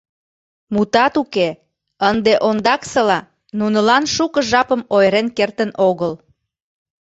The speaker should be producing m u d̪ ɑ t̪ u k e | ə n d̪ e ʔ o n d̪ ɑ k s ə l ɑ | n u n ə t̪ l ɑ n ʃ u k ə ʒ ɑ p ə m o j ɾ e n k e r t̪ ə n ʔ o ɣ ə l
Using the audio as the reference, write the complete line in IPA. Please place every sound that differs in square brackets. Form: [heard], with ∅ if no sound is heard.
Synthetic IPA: m u [t̪] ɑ t̪ u k e | ə n d̪ e ʔ o n d̪ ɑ k s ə l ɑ | n u n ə [∅] l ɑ n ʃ u k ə ʒ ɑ p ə m o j ɾ e n k e r t̪ ə n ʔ o ɣ ə l